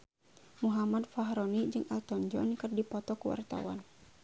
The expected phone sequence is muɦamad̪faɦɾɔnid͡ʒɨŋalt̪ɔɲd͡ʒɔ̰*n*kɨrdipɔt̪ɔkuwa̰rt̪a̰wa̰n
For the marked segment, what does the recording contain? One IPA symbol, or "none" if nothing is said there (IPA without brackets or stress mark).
n